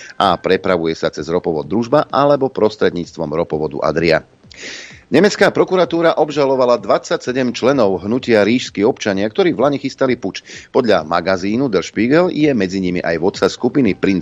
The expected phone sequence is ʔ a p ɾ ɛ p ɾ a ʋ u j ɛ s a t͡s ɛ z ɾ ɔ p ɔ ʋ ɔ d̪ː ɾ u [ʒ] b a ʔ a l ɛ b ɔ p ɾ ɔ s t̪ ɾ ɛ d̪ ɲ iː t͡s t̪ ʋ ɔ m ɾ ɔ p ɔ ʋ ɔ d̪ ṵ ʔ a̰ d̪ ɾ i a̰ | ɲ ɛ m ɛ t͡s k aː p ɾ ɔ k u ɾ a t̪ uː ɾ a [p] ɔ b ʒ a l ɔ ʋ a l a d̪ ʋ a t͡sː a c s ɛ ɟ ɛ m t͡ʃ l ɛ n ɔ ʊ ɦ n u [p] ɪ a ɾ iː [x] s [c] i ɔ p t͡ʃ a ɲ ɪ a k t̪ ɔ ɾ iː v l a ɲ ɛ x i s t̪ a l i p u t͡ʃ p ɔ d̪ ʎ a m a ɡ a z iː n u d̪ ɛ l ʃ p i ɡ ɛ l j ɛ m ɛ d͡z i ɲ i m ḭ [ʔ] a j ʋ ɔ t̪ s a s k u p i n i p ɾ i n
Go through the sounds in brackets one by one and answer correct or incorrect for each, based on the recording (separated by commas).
correct, incorrect, incorrect, incorrect, incorrect, correct